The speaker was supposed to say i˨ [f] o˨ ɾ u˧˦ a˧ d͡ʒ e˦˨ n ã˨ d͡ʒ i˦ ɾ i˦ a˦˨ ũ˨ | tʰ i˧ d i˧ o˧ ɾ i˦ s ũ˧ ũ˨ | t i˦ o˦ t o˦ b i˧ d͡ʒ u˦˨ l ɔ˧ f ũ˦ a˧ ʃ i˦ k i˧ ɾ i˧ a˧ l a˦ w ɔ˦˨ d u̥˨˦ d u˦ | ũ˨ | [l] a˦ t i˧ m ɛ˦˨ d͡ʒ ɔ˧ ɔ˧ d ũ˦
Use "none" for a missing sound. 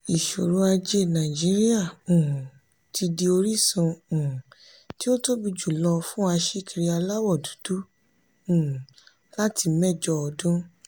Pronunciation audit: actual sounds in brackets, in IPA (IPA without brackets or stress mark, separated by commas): ʃ, l